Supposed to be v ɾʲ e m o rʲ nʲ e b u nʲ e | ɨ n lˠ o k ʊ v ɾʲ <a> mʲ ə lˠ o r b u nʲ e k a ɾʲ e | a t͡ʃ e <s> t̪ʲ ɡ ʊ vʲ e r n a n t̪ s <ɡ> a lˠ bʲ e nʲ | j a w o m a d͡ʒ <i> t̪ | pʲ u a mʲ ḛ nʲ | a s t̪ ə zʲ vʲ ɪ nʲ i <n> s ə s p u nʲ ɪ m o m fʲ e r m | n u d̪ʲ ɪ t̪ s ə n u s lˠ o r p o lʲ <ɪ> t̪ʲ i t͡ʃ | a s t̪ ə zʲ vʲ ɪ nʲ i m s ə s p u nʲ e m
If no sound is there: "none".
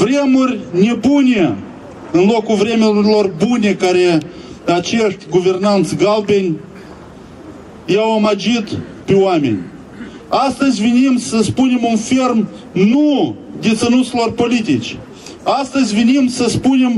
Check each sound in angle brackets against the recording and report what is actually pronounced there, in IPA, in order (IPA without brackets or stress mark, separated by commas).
e, ʂ, ɡ, i, m, i